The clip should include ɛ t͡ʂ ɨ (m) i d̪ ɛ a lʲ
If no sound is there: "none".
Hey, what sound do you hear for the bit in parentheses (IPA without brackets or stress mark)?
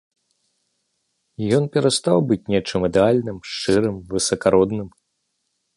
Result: m